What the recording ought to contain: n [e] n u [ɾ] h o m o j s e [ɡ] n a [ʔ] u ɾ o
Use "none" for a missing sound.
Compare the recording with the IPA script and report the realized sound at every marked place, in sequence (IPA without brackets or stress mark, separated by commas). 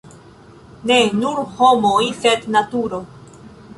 e, ɾ, d, t